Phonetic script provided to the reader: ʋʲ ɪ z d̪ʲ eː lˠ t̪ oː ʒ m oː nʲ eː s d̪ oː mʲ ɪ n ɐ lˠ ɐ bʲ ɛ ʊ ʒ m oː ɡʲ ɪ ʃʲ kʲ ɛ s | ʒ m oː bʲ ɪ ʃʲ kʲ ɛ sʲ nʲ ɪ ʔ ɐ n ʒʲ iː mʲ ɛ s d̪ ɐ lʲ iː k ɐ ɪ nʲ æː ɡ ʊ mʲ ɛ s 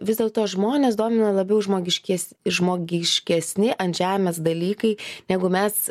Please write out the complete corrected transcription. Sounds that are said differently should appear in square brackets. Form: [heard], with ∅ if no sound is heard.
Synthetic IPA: ʋʲ ɪ z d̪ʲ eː lˠ t̪ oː ʒ m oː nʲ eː s d̪ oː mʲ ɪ n ɐ lˠ ɐ bʲ ɛ ʊ ʒ m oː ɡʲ ɪ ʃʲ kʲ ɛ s | ʒ m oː [ɡʲ] ɪ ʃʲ kʲ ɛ sʲ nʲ ɪ ʔ ɐ n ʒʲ [æː] mʲ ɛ s d̪ ɐ lʲ iː k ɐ ɪ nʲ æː ɡ ʊ mʲ ɛ s